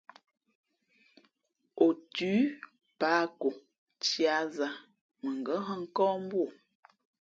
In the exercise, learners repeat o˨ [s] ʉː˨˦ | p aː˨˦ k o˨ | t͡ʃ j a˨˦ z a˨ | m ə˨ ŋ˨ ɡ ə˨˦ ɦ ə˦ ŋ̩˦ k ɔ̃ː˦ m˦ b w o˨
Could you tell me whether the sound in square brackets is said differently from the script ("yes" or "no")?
yes